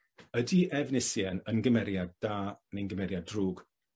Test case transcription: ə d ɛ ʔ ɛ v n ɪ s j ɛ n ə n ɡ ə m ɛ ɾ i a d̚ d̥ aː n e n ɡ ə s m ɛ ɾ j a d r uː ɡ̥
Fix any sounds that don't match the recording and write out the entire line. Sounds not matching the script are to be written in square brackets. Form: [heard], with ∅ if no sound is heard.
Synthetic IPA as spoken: ə d [i] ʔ ɛ v n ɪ s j ɛ n ə n ɡ ə m ɛ ɾ [j] a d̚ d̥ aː n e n ɡ ə [∅] m ɛ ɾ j a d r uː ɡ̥